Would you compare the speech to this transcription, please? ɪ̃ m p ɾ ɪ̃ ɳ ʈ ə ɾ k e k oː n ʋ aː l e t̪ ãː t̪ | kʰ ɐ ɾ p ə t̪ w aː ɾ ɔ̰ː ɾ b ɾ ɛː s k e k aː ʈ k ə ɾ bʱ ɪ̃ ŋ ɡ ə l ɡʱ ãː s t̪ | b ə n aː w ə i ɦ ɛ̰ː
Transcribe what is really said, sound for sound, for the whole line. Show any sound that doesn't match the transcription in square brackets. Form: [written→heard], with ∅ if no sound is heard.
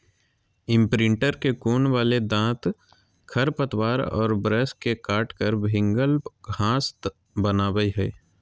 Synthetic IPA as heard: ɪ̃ m p ɾ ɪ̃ ɳ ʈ ə ɾ k e k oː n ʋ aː l e [t̪→d̪] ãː t̪ | kʰ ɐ ɾ p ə t̪ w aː ɾ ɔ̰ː ɾ b ɾ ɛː s k e k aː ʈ k ə ɾ bʱ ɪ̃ ŋ ɡ ə l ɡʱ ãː s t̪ | b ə n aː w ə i ɦ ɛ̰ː

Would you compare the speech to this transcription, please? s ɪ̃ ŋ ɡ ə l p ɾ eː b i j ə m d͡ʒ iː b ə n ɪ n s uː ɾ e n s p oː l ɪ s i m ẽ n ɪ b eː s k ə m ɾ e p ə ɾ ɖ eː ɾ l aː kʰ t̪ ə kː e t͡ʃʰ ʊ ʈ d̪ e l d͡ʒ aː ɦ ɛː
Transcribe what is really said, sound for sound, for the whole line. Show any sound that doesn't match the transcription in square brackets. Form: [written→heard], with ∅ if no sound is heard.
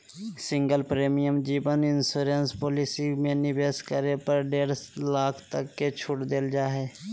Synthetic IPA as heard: s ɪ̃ ŋ ɡ ə l p ɾ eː [b→m] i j ə m d͡ʒ iː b ə n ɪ n s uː ɾ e n s p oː l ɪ s i m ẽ n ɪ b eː s k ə [m→∅] ɾ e p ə ɾ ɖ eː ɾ l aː kʰ t̪ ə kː e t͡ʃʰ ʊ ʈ d̪ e l d͡ʒ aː ɦ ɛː

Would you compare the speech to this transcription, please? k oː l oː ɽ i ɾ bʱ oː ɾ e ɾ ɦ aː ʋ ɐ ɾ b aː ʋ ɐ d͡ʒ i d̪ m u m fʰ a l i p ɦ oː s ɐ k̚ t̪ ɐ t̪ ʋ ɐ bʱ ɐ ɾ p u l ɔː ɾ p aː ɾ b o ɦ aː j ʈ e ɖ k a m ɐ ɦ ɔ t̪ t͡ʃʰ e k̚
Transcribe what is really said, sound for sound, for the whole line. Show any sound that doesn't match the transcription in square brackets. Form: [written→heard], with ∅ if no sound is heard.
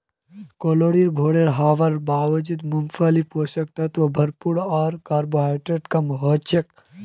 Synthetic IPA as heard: k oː l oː ɽ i ɾ bʱ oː [ɾ→ɽ] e ɾ ɦ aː ʋ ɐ ɾ b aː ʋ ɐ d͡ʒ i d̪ m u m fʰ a l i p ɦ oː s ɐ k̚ t̪ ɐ t̪ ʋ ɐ bʱ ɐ ɾ p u [l→ɽ] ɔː ɾ [p→k] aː ɾ b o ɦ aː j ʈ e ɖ k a m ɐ ɦ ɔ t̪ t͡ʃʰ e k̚

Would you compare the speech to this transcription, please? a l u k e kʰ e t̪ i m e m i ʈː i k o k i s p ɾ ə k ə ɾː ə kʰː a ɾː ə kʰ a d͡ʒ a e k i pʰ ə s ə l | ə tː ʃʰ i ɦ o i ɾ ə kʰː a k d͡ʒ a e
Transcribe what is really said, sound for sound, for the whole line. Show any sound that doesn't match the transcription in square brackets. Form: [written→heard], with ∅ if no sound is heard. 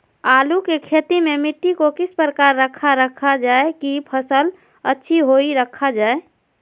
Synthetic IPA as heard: a l u k e kʰ e t̪ i m e m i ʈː i k o k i s p ɾ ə k [ə→a] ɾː ə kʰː a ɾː ə kʰ a d͡ʒ a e k i pʰ ə s ə l | ə tː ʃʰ i ɦ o i ɾ ə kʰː a [k→∅] d͡ʒ a e

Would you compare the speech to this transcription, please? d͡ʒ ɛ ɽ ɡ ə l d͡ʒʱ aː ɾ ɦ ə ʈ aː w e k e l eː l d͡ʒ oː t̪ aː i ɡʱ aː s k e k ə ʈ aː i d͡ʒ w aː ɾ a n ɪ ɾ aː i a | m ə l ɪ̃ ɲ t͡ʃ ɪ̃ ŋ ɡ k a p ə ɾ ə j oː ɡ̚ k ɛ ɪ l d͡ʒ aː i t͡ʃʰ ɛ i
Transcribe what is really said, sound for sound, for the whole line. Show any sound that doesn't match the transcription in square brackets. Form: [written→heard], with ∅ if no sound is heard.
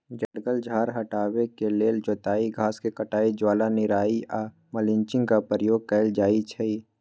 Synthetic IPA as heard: d͡ʒ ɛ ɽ ɡ ə l d͡ʒʱ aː ɾ ɦ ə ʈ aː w e k e l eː l d͡ʒ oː t̪ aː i ɡʱ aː s k e k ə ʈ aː i d͡ʒ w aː [ɾ→l] a n ɪ ɾ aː i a | m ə l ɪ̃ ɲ t͡ʃ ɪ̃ ŋ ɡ k a p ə ɾ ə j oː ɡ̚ k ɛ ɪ l d͡ʒ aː i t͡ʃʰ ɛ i

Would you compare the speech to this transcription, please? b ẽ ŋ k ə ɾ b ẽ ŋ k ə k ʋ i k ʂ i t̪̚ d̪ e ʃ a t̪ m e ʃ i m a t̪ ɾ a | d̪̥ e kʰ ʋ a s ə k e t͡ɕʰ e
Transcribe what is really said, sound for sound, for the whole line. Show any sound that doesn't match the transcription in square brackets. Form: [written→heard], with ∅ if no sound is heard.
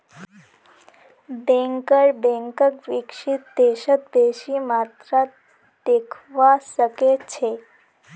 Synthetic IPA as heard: b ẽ ŋ k ə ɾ b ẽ ŋ k ə k ʋ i k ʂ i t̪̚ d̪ e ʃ [a→ə] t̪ [m→b] e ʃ i m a t̪ ɾ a | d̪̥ e kʰ ʋ a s ə k e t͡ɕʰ e

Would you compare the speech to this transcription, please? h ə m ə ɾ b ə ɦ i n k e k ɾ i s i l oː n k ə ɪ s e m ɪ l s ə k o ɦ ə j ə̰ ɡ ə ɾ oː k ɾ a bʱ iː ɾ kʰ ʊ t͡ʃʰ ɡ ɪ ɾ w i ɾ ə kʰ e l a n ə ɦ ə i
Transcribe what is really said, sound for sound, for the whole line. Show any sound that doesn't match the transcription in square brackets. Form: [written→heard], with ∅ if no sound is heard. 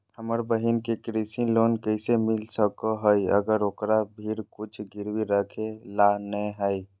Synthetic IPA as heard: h ə m ə ɾ b ə ɦ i n k e k ɾ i s i l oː n k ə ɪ s e m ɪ l s ə k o ɦ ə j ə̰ ɡ ə ɾ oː k ɾ a bʱ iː ɾ [kʰ→k] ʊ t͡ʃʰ ɡ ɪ ɾ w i ɾ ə kʰ e l a n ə ɦ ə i

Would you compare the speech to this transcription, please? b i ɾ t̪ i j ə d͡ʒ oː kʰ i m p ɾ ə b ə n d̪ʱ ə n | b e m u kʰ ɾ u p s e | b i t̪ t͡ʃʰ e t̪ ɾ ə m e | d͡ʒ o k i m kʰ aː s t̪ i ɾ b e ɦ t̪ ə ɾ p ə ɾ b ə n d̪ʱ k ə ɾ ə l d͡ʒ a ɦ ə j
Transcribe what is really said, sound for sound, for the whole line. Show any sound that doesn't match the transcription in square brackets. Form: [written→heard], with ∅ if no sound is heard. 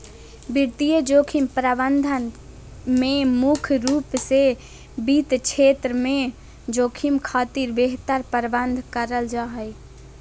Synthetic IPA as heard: b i ɾ t̪ i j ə d͡ʒ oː kʰ i m p ɾ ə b ə n d̪ʱ ə n | [b→m] e m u kʰ ɾ u p s e | b i t̪ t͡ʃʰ e t̪ ɾ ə m e | d͡ʒ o [k→kʰ] i m kʰ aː [s→∅] t̪ i ɾ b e ɦ t̪ ə ɾ p ə ɾ b ə n d̪ʱ k ə ɾ ə l d͡ʒ a ɦ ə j

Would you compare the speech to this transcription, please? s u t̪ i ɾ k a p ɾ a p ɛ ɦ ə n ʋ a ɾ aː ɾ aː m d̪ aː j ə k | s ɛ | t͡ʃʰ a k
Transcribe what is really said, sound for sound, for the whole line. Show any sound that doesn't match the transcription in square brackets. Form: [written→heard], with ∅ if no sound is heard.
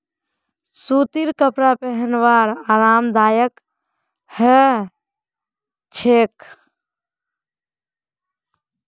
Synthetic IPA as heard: s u t̪ i ɾ k [a→ə] p ɾ a p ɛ ɦ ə n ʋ a ɾ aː ɾ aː m d̪ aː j ə k | [s→h] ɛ | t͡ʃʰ [a→e] k

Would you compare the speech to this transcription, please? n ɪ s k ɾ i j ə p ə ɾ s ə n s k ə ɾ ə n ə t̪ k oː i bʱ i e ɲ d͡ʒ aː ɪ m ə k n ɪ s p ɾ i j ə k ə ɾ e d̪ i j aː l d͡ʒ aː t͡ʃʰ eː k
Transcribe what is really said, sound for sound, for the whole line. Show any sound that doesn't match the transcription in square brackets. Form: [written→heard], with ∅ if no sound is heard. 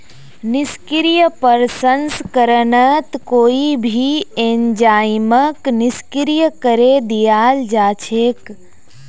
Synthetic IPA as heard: n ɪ s k ɾ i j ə p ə ɾ s ə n s k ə ɾ ə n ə t̪ k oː i bʱ i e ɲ d͡ʒ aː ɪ m ə k n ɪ s [p→k] ɾ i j ə k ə ɾ e d̪ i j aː l d͡ʒ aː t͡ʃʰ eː k

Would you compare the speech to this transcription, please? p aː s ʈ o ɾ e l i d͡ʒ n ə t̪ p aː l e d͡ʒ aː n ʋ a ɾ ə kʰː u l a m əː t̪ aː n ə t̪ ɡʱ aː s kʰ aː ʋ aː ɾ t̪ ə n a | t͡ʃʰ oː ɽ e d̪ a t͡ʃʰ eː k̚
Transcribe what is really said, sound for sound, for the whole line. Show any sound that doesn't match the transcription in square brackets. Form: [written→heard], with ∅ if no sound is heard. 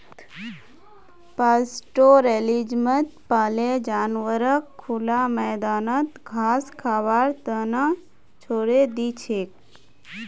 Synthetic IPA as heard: p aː s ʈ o ɾ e l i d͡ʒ [n→m] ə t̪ p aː l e d͡ʒ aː n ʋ [a→ə] ɾ ə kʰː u l a m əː [t̪→d̪] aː n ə t̪ ɡʱ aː s kʰ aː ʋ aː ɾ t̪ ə n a | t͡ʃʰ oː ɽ e d̪ [a→i] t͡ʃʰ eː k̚

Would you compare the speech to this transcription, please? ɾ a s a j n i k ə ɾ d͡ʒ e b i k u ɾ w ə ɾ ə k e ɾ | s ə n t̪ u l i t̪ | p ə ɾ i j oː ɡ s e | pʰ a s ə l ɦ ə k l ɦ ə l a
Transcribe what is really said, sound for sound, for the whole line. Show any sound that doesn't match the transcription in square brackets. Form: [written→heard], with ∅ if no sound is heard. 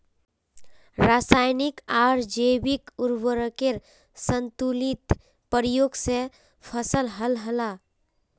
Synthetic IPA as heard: ɾ a s a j n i k [ə→a] ɾ d͡ʒ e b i k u ɾ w ə ɾ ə k e ɾ | s ə n t̪ u l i t̪ | p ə ɾ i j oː ɡ s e | pʰ [a→ə] s ə l ɦ ə [k→∅] l ɦ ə l a

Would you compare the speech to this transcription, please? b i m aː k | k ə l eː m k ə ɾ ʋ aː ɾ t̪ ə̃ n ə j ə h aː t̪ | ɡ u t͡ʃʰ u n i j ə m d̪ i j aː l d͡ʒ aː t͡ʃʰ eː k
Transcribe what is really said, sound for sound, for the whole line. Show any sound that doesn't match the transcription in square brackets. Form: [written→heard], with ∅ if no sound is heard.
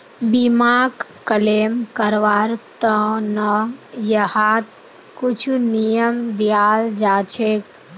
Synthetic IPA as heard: b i m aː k | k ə l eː m k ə ɾ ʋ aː ɾ t̪ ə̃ n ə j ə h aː t̪ | [ɡ→k] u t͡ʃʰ u n i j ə m d̪ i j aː l d͡ʒ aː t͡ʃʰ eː k

